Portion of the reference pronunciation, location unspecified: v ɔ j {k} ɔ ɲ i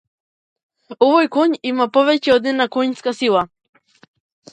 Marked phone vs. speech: correct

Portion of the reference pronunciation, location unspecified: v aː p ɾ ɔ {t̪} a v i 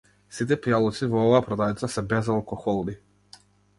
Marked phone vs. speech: incorrect: d̪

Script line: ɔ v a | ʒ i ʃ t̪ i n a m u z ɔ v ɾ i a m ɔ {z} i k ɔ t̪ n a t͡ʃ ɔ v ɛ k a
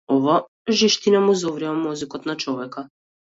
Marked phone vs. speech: correct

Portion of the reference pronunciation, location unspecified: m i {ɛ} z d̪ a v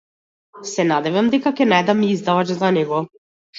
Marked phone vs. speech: incorrect: i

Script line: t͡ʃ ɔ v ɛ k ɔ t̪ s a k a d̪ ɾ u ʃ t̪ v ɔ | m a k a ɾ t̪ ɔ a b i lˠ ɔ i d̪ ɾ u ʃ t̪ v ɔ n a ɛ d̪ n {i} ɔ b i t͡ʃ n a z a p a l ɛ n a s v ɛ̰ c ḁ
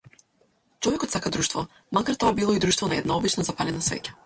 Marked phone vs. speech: incorrect: a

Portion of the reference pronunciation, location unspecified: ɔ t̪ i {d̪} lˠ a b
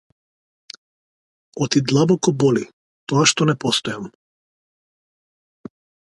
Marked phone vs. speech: correct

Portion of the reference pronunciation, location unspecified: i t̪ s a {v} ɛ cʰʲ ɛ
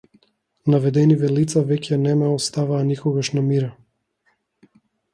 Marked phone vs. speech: correct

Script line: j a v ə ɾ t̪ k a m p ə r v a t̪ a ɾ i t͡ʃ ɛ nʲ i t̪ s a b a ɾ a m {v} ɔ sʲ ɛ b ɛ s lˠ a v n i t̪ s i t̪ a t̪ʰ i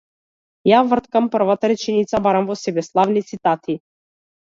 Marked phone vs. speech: correct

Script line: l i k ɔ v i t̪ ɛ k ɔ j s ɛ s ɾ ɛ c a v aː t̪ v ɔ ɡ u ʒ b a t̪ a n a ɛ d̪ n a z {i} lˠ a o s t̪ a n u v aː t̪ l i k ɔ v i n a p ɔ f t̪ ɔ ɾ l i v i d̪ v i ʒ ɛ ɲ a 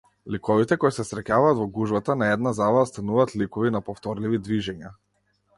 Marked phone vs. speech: incorrect: a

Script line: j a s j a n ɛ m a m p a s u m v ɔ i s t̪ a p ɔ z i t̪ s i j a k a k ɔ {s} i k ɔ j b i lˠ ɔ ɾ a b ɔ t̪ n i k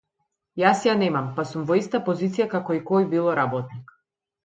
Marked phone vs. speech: incorrect: none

